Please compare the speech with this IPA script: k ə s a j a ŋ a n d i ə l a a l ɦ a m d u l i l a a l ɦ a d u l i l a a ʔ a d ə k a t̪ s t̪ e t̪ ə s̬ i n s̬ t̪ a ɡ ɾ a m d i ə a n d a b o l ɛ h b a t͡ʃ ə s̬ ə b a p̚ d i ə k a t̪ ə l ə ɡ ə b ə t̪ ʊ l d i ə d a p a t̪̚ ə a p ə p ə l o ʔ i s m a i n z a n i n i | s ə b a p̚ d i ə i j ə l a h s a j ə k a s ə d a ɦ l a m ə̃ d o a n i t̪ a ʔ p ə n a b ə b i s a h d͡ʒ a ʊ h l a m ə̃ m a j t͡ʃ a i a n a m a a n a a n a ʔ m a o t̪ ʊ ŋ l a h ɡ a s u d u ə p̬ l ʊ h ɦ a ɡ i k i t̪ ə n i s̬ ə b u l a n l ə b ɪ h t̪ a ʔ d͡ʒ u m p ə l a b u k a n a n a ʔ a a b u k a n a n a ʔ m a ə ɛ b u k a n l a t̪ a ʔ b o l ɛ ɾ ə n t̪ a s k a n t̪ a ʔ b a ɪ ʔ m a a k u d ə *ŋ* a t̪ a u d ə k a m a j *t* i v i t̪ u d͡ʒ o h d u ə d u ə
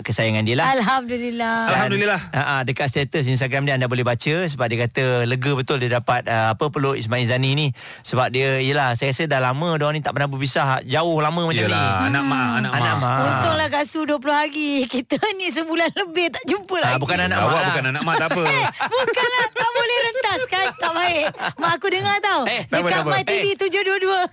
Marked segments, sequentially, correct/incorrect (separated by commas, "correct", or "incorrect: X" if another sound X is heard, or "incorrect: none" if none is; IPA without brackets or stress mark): correct, correct